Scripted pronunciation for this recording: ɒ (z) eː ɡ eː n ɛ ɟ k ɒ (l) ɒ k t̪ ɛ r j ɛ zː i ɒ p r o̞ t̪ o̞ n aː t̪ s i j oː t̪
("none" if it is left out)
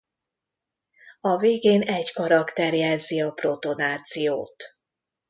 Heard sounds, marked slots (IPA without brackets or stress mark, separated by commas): v, ɾ